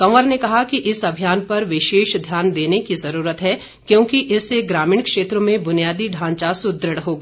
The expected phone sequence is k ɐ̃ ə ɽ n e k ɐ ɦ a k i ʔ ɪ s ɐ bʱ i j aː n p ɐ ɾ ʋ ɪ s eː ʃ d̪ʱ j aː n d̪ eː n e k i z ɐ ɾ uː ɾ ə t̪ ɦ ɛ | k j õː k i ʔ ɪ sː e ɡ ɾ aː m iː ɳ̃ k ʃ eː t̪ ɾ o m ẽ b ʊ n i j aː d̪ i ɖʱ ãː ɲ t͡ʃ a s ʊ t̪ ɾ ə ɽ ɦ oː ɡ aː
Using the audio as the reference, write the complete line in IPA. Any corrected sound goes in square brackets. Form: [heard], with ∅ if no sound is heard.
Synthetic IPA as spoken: k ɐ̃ ə [ɾ] n e k ɐ ɦ a k i ʔ ɪ s ɐ bʱ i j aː n p ɐ ɾ ʋ ɪ [ʃ] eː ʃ d̪ʱ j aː n d̪ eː n e k i z ɐ ɾ uː ɾ ə t̪ ɦ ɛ | k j õː k i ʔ ɪ sː e ɡ ɾ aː m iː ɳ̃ k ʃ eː t̪ ɾ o m ẽ b ʊ n i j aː d̪ i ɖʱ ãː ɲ t͡ʃ a s ʊ [d̪] ɾ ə ɽ ɦ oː ɡ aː